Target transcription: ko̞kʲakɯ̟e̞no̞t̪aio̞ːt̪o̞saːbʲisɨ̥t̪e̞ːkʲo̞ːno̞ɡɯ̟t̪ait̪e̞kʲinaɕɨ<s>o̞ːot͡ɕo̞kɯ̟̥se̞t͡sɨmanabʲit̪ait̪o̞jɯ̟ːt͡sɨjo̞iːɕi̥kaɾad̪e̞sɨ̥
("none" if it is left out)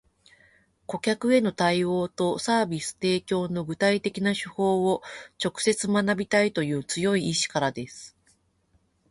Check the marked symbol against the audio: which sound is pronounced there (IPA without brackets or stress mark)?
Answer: h